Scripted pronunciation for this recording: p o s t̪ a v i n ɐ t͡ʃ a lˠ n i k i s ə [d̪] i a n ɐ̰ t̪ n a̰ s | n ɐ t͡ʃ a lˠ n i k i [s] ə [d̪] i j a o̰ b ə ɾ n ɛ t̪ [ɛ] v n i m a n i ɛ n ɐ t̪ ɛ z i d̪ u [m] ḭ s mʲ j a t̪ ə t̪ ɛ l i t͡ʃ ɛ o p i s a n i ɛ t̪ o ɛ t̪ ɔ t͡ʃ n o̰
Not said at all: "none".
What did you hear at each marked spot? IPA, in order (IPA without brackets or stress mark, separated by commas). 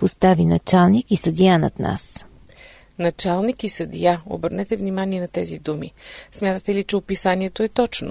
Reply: d̪, s, d̪, ɛ, m